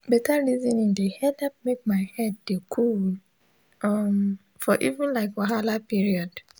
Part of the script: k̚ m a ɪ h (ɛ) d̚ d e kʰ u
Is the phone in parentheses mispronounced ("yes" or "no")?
no